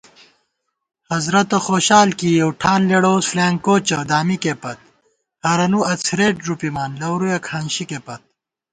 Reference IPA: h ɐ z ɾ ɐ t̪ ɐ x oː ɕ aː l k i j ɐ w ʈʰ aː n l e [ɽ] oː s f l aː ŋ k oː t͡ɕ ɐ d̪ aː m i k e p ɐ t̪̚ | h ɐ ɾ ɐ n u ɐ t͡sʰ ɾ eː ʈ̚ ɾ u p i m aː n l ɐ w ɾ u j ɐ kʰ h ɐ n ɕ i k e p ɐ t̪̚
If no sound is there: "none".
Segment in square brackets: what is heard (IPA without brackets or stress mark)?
ɽ